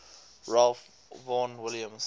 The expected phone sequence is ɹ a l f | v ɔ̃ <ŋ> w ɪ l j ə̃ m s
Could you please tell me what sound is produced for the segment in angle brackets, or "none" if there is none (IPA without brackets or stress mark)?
n